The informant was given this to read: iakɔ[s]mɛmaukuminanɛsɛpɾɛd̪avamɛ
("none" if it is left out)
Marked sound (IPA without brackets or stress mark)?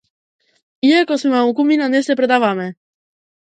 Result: s